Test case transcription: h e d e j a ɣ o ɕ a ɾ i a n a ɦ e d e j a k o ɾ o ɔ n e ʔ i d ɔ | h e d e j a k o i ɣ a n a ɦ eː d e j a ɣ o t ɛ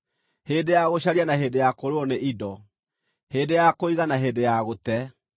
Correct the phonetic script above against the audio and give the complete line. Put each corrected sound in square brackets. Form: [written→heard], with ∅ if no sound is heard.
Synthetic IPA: h e d e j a ɣ o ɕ a ɾ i a n a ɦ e d e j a k o ɾ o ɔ n e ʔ i d ɔ | h e d e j a k o i ɣ a n a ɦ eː d e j a ɣ o t ɛ